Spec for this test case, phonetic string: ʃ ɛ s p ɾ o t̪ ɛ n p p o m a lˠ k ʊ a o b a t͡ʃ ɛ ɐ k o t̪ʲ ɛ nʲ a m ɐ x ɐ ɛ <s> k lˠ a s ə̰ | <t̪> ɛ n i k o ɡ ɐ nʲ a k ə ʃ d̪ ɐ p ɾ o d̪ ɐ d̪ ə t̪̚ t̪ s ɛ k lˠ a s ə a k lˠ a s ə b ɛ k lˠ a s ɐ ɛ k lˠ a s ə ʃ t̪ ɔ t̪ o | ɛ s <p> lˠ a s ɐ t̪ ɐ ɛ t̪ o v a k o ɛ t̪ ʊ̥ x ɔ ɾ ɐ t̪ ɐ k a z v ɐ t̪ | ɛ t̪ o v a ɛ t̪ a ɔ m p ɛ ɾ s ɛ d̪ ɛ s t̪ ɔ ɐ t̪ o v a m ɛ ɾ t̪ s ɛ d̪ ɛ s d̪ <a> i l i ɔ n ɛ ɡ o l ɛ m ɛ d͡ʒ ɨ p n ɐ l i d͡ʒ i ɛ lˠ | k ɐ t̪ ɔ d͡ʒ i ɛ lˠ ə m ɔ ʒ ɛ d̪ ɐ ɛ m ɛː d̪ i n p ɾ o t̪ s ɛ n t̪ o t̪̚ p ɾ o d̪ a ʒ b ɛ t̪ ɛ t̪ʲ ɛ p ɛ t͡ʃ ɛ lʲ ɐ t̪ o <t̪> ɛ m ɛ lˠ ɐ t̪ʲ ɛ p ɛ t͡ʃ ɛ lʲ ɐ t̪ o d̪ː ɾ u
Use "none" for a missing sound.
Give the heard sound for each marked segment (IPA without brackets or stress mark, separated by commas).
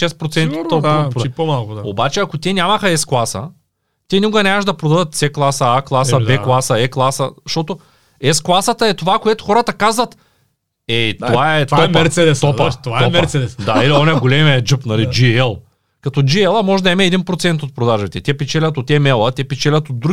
s, t̪, k, a, t̪